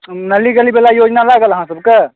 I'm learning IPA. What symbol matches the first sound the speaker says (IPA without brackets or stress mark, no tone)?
n